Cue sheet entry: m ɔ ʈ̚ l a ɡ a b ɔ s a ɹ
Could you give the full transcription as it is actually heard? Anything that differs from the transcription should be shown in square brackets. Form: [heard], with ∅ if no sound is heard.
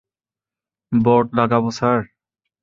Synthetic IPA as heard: [b] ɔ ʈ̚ l a ɡ a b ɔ s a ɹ